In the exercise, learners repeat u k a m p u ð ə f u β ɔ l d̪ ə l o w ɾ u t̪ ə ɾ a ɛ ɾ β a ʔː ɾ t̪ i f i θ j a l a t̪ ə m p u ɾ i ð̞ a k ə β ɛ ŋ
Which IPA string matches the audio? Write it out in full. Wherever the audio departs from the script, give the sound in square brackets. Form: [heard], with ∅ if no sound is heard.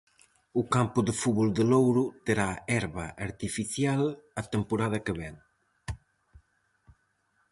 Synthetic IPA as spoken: u k a m p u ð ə f u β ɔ l d̪ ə l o w ɾ u t̪ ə ɾ a ɛ ɾ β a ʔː ɾ t̪ i f i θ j a l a t̪ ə m p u ɾ [a] ð̞ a k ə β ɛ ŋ